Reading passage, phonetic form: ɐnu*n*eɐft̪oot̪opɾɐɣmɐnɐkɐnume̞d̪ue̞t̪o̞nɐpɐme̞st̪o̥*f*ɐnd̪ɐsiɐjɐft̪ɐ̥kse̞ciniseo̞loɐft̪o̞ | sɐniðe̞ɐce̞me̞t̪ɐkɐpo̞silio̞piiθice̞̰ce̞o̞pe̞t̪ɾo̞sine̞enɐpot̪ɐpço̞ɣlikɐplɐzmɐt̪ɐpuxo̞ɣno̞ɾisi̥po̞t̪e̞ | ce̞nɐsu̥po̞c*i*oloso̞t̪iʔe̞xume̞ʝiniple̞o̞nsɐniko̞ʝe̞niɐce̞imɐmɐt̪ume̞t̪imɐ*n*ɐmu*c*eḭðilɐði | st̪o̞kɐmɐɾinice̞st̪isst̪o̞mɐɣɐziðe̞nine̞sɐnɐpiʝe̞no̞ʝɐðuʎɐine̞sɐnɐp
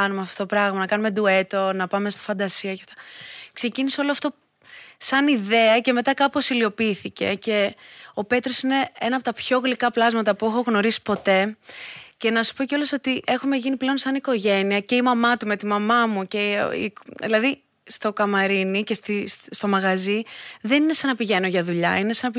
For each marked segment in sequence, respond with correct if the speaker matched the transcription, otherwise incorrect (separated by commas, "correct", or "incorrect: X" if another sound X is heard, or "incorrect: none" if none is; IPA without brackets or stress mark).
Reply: incorrect: m, correct, incorrect: e, incorrect: m, correct